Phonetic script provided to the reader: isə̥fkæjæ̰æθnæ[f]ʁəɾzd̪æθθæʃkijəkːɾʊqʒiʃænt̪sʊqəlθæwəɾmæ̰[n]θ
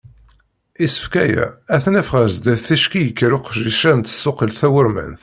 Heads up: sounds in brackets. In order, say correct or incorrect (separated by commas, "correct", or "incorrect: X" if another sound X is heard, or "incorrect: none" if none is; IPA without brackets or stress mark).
correct, correct